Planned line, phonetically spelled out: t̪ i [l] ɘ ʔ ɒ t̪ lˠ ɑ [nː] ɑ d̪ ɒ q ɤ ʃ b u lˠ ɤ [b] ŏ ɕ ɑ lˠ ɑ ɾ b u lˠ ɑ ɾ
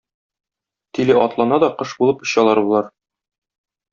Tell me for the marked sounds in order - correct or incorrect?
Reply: correct, incorrect, incorrect

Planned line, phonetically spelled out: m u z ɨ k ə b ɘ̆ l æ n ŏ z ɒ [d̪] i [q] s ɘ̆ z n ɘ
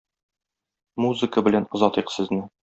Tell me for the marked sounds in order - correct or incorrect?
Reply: incorrect, correct

